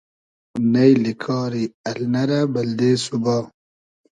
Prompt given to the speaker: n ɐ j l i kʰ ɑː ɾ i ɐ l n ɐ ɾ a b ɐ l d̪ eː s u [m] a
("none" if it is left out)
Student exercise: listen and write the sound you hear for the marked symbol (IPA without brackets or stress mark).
b